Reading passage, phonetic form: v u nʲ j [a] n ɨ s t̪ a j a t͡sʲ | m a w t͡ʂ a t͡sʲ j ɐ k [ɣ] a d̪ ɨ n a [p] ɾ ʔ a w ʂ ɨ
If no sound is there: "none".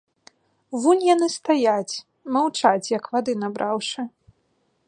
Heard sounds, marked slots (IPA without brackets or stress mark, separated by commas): a, v, b